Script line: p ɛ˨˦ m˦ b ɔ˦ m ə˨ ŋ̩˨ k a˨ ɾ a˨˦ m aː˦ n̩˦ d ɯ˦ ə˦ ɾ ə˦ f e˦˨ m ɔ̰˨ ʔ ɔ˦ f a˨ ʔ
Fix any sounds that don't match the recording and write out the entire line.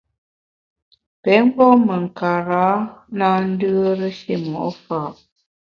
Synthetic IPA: p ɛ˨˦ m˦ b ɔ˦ m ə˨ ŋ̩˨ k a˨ ɾ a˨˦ n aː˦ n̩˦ d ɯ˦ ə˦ ɾ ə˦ ʃ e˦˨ m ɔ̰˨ ʔ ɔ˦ f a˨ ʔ